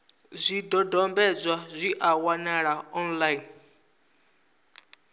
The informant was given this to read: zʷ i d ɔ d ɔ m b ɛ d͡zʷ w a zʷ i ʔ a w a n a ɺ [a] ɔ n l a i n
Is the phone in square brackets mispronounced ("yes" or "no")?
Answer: no